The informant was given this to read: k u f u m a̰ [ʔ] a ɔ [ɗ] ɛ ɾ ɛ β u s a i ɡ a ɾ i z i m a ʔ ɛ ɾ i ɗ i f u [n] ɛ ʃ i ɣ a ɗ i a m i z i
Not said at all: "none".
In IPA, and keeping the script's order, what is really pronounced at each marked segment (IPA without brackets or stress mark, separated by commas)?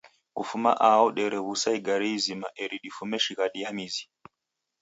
ʔ, ɗ, m